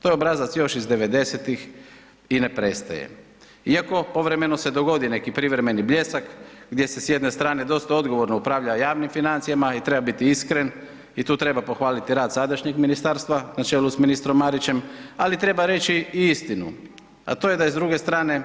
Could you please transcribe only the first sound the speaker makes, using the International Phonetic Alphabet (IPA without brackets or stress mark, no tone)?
t̪